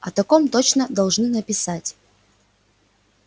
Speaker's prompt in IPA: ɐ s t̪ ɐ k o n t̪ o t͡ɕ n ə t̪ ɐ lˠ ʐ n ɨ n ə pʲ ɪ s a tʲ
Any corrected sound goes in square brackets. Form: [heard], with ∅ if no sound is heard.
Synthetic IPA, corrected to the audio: ɐ [∅] t̪ ɐ k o [m] t̪ o t͡ɕ n ə [d̪] ɐ lˠ ʐ n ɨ n ə pʲ ɪ s a tʲ